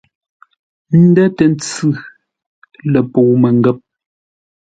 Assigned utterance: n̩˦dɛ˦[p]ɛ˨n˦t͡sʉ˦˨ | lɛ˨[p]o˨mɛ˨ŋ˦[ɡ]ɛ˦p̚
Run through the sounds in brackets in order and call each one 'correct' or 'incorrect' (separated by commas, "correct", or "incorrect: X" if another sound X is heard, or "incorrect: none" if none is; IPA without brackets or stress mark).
incorrect: t, correct, correct